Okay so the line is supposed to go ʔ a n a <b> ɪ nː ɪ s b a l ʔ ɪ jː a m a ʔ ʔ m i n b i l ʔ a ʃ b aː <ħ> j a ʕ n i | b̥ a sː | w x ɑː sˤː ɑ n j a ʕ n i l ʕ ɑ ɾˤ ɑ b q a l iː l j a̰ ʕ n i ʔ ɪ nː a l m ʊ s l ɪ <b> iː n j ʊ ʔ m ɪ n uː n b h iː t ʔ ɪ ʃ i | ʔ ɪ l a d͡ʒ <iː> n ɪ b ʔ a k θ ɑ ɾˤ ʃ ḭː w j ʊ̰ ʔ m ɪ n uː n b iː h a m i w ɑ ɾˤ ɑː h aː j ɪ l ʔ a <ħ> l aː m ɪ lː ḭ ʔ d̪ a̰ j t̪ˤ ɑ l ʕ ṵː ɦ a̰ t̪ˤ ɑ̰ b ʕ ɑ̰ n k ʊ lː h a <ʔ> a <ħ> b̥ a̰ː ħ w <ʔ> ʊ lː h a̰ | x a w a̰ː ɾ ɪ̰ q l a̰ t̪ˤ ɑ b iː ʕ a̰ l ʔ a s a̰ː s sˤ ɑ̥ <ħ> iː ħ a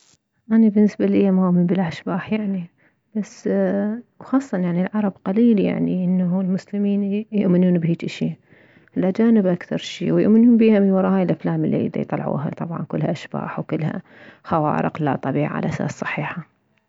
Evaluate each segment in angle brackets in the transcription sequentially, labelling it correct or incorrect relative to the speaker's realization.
correct, correct, incorrect: m, incorrect: aː, incorrect: f, correct, incorrect: ʃ, incorrect: k, correct

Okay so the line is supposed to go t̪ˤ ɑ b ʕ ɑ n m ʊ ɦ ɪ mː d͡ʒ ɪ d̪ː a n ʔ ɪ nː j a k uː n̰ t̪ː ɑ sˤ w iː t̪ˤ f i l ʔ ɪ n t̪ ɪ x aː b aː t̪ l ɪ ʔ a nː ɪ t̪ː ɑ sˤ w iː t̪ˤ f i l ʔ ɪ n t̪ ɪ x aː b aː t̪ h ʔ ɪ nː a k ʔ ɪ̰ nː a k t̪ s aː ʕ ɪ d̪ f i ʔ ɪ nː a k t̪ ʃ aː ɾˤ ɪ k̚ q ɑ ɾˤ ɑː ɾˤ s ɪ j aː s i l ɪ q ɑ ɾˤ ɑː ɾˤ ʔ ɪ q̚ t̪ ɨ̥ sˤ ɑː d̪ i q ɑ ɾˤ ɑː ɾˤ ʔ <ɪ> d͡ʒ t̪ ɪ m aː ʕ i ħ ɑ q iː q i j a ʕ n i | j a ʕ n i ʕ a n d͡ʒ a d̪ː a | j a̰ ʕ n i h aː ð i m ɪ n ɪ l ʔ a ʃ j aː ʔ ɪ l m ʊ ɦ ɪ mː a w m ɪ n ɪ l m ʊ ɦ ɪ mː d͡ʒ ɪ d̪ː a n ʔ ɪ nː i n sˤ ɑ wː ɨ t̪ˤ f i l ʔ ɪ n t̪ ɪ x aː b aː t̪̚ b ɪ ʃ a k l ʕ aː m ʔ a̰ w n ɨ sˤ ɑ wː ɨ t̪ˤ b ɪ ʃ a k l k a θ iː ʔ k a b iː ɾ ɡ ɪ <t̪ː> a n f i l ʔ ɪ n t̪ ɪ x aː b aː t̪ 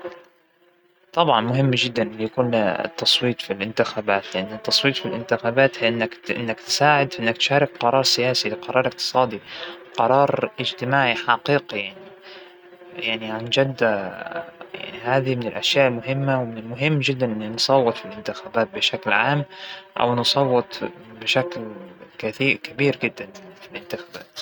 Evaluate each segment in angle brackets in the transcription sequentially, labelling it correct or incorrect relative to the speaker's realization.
correct, incorrect: d̪ː

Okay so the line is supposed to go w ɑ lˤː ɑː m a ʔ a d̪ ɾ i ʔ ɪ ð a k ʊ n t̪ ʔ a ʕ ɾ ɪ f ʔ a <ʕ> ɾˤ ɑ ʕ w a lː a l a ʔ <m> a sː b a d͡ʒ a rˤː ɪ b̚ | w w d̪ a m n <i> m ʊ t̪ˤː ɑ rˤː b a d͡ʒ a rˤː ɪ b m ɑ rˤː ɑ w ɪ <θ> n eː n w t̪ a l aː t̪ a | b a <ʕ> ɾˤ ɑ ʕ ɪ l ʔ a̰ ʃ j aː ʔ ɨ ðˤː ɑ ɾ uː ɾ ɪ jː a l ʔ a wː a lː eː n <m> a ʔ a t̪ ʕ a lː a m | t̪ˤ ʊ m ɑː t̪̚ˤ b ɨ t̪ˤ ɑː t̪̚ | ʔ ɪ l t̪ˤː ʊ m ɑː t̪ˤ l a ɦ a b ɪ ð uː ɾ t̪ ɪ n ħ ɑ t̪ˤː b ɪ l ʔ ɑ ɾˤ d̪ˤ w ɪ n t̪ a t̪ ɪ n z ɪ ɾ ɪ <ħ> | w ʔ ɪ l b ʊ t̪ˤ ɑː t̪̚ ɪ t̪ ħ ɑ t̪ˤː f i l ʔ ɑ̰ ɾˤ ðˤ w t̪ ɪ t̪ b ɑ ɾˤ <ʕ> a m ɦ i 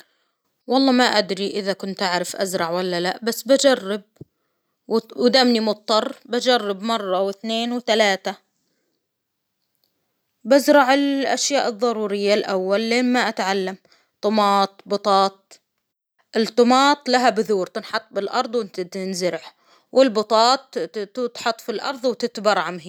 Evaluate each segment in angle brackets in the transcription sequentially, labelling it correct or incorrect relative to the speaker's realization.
incorrect: z, incorrect: b, correct, correct, incorrect: z, correct, correct, correct

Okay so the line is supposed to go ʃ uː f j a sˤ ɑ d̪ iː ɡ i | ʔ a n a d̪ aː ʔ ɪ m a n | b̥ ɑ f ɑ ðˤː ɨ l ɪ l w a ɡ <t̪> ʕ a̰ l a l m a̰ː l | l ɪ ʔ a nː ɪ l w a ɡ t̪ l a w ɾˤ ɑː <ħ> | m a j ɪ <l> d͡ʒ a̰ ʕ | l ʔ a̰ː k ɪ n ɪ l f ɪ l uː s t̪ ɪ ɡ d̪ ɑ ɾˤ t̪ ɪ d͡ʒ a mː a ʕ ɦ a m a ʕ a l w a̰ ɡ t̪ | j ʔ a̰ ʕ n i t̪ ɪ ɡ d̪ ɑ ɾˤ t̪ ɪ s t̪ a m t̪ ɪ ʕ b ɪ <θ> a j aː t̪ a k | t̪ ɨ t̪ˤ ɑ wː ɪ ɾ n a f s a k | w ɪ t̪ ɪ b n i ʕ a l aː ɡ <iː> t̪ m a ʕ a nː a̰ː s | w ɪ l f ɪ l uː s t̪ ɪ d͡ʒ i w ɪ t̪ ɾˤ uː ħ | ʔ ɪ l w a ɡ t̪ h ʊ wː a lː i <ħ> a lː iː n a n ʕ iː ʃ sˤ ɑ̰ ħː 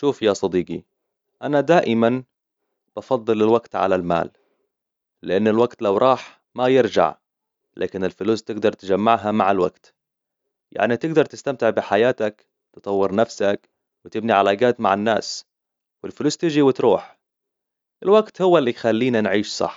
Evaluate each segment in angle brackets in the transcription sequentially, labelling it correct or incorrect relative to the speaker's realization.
correct, correct, incorrect: ɾ, incorrect: ħ, incorrect: aː, incorrect: x

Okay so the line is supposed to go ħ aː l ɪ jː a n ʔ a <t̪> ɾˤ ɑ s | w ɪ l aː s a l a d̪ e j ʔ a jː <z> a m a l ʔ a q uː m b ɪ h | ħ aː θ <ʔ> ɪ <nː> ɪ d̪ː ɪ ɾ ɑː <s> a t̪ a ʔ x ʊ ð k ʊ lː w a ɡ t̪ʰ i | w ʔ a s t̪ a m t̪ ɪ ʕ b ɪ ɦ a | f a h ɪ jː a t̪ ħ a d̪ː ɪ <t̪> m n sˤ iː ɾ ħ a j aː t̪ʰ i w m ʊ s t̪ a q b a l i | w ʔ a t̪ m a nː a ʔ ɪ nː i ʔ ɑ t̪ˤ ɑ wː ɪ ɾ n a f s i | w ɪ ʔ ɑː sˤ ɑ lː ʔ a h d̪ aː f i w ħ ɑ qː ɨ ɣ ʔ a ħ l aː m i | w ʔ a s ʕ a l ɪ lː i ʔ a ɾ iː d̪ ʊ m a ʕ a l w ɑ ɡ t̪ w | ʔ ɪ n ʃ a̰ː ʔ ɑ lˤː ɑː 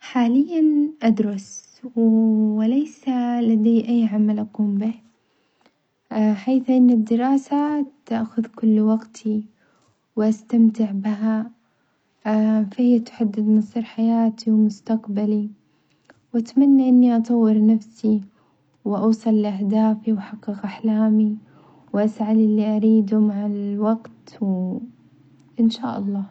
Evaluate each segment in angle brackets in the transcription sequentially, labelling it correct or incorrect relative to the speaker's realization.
incorrect: d̪, incorrect: ʕ, correct, correct, correct, incorrect: d̪

